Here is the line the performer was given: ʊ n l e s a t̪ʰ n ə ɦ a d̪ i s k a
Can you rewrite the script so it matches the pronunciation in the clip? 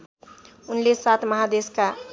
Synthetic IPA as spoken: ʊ n l e s a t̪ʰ m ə ɦ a d̪ e s k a

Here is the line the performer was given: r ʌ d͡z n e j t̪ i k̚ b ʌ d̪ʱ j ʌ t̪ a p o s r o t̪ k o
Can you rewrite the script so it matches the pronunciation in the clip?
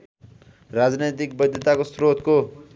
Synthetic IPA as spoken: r a d͡z n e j t̪ i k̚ b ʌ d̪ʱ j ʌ t̪ a k o s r o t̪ k o

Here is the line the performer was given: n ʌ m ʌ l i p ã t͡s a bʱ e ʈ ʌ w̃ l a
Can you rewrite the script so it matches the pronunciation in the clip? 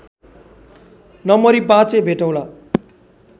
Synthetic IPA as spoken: n ʌ m ʌ ɾ i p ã t͡s e bʱ e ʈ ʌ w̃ l a

